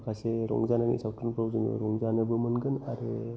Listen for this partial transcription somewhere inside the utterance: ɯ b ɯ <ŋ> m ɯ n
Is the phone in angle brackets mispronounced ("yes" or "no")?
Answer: yes